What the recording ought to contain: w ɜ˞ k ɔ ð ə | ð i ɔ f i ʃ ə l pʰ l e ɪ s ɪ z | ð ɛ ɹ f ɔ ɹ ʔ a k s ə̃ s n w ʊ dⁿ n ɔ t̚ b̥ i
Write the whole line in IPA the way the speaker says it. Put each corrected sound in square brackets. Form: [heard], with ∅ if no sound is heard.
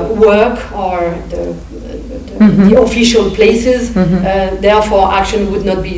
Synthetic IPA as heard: w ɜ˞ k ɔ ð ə | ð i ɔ f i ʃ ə l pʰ l e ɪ s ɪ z | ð ɛ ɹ f ɔ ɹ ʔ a k [ʃ] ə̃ [∅] n w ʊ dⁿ n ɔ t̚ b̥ i